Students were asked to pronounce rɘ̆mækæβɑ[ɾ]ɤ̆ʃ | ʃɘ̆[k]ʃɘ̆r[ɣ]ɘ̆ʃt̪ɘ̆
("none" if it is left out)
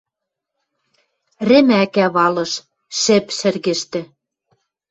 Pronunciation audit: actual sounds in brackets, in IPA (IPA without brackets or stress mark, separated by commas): l, p, ɣ